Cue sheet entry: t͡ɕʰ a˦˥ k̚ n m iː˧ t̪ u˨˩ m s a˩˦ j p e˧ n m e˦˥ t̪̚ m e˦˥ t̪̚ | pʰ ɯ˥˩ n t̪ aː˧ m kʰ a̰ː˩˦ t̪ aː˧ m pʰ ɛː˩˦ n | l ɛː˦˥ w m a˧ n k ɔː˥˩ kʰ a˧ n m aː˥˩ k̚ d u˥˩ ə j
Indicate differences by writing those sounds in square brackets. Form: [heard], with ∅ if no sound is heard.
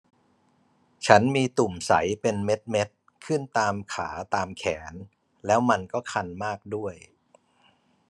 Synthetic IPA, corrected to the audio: t͡ɕʰ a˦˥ [∅] n m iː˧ t̪ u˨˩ m s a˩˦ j p e˧ n m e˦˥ t̪̚ m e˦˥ t̪̚ | [kʰ] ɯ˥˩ n t̪ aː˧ m kʰ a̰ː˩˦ t̪ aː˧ m [kʰ] ɛː˩˦ n | l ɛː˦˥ w m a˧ n k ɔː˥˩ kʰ a˧ n m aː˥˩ k̚ d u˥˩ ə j